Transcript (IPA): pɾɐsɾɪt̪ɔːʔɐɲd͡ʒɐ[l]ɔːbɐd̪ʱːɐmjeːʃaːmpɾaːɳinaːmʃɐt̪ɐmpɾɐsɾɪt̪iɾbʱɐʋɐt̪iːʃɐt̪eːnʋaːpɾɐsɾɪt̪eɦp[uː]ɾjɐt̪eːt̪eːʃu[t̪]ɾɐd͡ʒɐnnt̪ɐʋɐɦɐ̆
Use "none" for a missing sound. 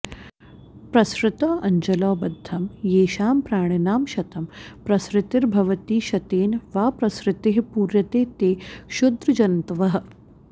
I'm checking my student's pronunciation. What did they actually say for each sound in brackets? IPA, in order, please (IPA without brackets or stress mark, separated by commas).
l, uː, d̪